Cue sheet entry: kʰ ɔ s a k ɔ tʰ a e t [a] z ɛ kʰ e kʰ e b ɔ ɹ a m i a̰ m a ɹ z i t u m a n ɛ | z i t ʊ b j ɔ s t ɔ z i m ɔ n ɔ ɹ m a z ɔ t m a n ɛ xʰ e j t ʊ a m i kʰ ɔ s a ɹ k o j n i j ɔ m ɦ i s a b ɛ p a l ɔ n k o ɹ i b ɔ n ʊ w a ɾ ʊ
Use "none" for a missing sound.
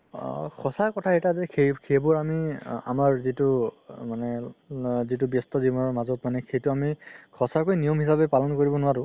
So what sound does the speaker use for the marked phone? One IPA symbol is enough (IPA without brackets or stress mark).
a